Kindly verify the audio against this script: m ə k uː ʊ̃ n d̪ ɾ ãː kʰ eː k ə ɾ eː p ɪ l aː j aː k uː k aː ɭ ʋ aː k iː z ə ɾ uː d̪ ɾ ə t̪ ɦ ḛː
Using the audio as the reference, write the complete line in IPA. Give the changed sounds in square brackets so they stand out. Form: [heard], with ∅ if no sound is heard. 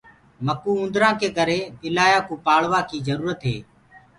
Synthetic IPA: m ə k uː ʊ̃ n d̪ ɾ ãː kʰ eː k ə ɾ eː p ɪ l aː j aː k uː [p] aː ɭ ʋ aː k iː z ə ɾ uː [∅] ɾ ə t̪ ɦ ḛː